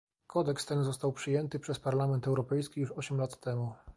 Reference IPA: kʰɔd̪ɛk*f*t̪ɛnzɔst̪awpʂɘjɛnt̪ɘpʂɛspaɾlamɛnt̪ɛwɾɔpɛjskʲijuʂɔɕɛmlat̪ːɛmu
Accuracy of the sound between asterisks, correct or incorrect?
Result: incorrect